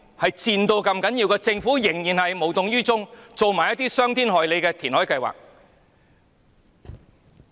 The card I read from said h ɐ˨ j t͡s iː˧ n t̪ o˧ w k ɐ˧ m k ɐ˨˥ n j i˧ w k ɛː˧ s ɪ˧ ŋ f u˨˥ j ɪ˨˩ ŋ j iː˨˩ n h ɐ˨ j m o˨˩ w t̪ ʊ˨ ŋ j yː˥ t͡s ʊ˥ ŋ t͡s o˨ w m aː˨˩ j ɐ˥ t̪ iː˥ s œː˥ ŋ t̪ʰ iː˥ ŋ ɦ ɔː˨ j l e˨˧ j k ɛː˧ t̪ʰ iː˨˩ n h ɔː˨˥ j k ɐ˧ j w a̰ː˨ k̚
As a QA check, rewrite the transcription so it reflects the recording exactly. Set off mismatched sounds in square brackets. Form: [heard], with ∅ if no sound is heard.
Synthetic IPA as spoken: h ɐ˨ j t͡s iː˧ n t̪ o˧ w k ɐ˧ m k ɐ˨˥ n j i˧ w k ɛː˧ [t͡s] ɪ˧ ŋ f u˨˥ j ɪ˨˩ ŋ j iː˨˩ n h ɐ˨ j m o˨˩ w t̪ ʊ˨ ŋ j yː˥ t͡s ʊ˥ ŋ t͡s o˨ w m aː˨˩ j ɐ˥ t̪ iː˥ s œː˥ ŋ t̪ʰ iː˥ [n] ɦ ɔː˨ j l e˨˧ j k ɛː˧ t̪ʰ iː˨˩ n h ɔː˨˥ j k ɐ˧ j w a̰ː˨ k̚